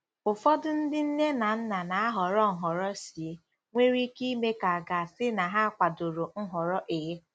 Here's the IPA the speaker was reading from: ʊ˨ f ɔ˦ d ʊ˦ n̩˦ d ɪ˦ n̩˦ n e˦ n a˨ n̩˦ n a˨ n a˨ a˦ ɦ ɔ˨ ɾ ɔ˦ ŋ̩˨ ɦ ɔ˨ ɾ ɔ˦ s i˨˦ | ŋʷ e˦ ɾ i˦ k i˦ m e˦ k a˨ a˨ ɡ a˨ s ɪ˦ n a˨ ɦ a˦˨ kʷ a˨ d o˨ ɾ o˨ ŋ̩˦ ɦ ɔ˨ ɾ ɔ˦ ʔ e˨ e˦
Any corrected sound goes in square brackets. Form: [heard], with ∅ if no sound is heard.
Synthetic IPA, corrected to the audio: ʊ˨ f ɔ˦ d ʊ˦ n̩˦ d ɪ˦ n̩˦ n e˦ n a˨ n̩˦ n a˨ n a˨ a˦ ɦ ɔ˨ ɾ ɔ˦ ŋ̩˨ ɦ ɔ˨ ɾ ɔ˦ s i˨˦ | ŋʷ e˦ ɾ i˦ k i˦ m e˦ k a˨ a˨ ɡ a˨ s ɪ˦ n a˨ ɦ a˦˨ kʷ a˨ d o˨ ɾ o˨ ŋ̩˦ ɦ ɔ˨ ɾ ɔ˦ ʔ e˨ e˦